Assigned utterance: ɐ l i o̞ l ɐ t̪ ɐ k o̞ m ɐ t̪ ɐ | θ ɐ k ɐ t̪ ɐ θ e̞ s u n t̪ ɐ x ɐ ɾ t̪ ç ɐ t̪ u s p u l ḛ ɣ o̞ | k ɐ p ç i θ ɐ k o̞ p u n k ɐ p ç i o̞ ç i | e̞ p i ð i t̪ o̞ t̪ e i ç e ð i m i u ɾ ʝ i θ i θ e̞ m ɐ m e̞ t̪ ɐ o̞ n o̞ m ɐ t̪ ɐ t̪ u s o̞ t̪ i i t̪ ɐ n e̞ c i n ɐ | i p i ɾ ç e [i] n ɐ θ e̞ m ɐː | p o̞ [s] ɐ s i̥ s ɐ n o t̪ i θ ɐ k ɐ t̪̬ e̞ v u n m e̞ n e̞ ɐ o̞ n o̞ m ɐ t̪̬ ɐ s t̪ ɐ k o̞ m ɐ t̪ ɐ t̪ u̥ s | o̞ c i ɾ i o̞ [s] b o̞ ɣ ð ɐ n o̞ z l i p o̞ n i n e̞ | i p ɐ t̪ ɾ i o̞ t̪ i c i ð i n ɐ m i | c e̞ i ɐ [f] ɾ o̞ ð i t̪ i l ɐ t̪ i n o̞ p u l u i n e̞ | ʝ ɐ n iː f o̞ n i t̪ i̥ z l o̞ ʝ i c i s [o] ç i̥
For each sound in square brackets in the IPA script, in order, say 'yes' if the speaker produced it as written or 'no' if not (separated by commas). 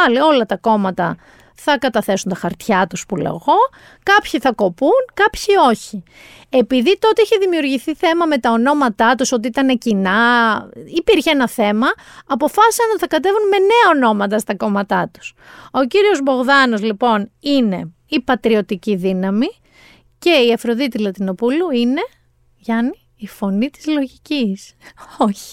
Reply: no, no, no, yes, yes